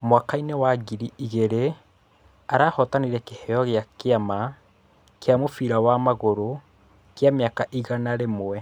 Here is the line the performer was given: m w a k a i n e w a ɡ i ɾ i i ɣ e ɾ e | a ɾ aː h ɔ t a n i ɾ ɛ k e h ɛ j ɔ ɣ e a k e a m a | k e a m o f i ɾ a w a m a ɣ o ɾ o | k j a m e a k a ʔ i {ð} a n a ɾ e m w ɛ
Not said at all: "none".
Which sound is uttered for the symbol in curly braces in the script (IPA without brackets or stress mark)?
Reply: ɣ